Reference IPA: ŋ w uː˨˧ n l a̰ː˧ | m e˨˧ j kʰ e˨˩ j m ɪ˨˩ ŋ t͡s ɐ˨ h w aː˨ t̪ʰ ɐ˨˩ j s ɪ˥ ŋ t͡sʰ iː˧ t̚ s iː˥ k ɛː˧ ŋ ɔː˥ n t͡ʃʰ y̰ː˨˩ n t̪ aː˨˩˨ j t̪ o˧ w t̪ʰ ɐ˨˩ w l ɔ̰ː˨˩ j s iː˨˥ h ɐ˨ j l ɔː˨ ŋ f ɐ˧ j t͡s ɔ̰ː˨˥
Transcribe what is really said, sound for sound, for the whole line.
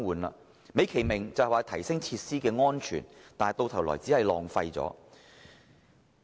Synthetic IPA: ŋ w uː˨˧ n l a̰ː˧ | m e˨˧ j kʰ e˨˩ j m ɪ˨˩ ŋ t͡s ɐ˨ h w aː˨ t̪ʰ ɐ˨˩ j s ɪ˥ ŋ t͡sʰ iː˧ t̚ s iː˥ k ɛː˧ ŋ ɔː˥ n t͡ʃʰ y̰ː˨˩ n t̪ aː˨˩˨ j t̪ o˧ w t̪ʰ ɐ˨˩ w l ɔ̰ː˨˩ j t͡s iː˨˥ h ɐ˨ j l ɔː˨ ŋ f ɐ˧ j t͡s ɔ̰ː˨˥